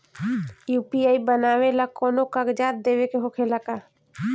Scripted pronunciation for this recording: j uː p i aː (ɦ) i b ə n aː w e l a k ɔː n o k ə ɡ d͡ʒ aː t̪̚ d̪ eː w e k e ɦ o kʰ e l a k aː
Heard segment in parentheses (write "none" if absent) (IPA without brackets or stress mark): none